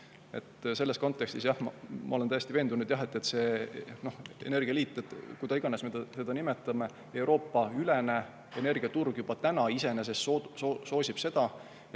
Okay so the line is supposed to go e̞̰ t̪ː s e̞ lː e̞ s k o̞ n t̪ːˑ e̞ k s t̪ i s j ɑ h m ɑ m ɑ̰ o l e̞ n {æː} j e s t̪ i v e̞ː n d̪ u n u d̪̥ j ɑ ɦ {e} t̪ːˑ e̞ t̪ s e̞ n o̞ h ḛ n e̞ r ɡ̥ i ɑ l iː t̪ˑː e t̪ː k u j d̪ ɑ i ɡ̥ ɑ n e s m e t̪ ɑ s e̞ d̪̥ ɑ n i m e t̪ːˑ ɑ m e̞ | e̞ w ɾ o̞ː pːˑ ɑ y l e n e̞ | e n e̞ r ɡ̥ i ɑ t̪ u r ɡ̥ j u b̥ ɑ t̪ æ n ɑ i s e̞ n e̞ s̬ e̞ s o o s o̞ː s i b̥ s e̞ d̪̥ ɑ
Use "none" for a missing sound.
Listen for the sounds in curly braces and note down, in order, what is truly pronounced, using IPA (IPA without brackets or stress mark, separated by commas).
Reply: æ, e